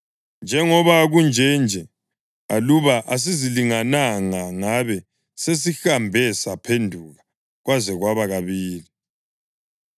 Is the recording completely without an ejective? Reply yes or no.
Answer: yes